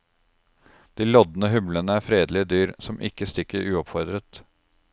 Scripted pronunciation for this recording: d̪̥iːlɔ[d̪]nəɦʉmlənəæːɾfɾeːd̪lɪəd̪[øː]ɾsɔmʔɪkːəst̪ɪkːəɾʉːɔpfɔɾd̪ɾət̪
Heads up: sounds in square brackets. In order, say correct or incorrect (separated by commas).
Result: correct, incorrect